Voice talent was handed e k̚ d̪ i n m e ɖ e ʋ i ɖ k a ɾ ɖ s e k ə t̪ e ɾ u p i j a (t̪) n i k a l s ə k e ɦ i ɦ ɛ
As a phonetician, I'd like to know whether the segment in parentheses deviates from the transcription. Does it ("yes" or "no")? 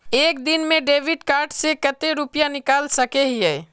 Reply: yes